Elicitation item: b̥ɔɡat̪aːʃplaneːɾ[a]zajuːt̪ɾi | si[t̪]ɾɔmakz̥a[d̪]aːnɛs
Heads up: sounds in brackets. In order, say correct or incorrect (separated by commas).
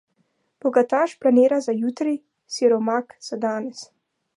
correct, incorrect, correct